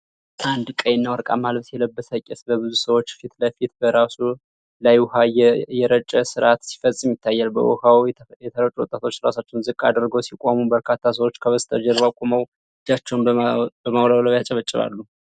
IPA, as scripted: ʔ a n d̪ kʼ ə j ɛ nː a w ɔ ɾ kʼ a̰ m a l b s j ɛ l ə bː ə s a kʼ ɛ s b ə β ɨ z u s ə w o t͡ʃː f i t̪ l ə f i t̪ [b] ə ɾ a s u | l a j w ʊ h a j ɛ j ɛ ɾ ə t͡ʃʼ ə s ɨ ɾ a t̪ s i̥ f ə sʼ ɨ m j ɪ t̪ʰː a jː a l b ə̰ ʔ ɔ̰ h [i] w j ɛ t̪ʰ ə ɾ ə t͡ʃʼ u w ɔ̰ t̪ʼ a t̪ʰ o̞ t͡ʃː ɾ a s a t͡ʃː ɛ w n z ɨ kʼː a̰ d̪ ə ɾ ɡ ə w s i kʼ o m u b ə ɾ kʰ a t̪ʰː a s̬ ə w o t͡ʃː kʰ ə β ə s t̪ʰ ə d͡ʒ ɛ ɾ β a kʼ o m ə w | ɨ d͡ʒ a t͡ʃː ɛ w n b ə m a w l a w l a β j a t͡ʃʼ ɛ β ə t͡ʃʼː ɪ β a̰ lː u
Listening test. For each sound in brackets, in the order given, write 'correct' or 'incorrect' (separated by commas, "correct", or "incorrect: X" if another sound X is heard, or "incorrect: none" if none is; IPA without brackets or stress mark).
correct, incorrect: a